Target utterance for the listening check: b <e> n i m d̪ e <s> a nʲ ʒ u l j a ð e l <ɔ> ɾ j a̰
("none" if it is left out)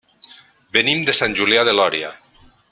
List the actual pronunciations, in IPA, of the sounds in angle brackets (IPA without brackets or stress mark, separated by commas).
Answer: e, s, ɔ